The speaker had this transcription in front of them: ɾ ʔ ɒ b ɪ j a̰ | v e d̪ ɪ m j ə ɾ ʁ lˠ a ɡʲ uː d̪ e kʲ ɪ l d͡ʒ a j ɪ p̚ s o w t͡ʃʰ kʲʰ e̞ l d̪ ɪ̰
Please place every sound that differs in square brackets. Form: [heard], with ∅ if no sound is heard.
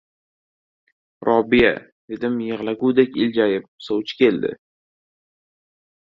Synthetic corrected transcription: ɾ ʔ ɒ b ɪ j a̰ | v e d̪ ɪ m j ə [∅] ʁ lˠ a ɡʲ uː d̪ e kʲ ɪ l d͡ʒ a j ɪ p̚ s o w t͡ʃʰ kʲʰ e̞ l d̪ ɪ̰